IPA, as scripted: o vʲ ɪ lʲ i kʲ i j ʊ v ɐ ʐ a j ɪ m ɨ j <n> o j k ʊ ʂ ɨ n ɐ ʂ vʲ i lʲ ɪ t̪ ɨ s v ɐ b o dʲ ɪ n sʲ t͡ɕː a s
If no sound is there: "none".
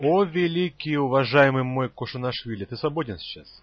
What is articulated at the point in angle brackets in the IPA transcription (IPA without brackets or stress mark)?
m